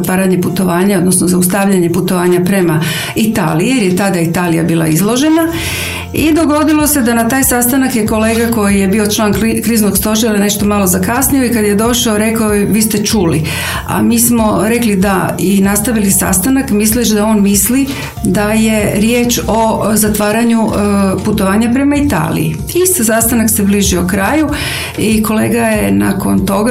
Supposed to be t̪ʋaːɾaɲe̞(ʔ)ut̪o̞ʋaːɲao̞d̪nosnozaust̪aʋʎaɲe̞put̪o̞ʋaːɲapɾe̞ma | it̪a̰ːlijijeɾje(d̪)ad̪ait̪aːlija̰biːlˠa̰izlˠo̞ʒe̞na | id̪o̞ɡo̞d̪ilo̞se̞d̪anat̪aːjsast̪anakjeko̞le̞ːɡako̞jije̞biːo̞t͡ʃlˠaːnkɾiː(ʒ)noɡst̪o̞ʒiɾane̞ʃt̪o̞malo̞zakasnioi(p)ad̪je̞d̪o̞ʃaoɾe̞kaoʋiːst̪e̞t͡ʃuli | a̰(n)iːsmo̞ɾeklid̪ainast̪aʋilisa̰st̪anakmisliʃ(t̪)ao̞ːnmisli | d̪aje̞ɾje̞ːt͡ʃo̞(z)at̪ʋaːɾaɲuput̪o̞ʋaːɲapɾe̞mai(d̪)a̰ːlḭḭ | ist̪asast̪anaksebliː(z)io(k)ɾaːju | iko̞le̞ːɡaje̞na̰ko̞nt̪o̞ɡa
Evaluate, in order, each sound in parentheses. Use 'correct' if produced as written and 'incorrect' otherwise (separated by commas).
incorrect, incorrect, incorrect, incorrect, incorrect, incorrect, correct, incorrect, incorrect, correct